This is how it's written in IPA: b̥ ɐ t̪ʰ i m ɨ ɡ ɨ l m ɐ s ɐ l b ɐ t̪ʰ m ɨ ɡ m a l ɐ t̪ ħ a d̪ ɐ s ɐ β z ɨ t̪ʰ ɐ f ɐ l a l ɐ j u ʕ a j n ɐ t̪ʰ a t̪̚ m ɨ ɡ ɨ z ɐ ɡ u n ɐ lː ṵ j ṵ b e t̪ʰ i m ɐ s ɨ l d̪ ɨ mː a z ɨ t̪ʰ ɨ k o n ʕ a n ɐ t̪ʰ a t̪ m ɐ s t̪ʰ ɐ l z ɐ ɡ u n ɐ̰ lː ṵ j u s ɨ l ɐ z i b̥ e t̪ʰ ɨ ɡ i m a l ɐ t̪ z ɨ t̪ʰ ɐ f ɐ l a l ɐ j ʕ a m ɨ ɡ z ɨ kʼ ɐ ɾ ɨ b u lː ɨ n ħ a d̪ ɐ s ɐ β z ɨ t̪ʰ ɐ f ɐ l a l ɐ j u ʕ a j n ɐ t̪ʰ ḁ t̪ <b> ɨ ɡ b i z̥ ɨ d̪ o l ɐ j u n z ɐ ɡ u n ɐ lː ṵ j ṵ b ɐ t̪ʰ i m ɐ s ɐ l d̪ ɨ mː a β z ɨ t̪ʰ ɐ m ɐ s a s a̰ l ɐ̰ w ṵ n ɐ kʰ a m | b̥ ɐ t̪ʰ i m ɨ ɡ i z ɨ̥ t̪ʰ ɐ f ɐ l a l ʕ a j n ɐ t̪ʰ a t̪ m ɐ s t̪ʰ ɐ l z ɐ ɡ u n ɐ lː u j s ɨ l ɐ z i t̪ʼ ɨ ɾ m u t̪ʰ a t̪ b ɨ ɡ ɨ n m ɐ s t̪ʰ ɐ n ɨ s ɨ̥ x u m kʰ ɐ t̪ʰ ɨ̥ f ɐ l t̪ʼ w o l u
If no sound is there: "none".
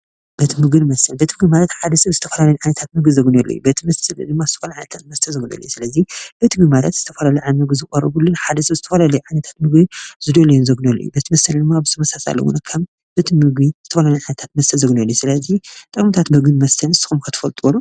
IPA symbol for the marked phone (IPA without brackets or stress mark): m